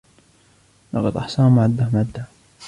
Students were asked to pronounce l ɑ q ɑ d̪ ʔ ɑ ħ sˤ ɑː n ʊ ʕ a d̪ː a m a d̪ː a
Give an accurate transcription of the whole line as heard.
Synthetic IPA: l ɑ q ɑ d̪ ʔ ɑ ħ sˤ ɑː m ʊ ʕ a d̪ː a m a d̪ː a